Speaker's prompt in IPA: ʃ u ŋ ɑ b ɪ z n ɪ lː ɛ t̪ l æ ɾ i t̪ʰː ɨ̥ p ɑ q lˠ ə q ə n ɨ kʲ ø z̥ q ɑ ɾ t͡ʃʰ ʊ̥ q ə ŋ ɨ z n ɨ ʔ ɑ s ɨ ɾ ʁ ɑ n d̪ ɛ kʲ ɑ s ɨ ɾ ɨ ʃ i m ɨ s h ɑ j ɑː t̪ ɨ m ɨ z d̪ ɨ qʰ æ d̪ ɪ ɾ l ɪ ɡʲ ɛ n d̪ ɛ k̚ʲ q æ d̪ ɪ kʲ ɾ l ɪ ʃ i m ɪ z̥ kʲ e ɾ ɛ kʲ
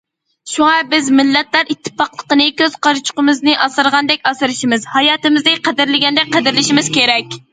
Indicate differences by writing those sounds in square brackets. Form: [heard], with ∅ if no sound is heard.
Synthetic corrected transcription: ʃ u ŋ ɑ b ɪ z [m] ɪ lː ɛ t̪ l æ ɾ i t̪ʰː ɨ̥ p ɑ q lˠ ə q ə n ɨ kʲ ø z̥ q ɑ ɾ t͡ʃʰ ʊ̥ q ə [m] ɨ z n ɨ ʔ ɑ s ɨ ɾ ʁ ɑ n d̪ ɛ kʲ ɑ s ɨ ɾ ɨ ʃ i m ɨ [z] h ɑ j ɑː t̪ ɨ m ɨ z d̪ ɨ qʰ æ d̪ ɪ ɾ l ɪ ɡʲ ɛ n d̪ ɛ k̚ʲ q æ d̪ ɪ [∅] ɾ l ɪ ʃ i m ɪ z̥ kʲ e ɾ ɛ kʲ